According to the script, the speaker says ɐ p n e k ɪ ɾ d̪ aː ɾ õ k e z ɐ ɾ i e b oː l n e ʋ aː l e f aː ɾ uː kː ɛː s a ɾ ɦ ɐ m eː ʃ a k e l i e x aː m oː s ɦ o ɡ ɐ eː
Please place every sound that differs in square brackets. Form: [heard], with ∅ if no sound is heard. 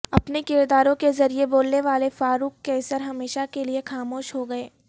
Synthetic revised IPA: ɐ p n e k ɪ ɾ d̪ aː ɾ õ k e z ɐ ɾ i e b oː l n e ʋ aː l e f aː ɾ uː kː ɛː s [ə] ɾ ɦ ɐ m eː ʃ a k e l i e x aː m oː [ʃ] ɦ o ɡ ɐ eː